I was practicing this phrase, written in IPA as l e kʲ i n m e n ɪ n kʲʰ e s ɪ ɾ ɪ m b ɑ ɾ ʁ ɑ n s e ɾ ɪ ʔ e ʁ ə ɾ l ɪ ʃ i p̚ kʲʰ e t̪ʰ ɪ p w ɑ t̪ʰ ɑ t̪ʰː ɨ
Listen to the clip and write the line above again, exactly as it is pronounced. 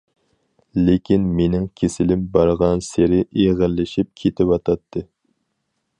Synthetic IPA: l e kʲ i n m e n ɪ ŋ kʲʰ e s ɪ l ɪ m b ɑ ɾ ʁ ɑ n s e ɾ ɪ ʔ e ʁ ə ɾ l ɪ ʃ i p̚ kʲʰ e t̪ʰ ɪ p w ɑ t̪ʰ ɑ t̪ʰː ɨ